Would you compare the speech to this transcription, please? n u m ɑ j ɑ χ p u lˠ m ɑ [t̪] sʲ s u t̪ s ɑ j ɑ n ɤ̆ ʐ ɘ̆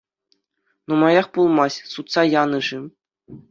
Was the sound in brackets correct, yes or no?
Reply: no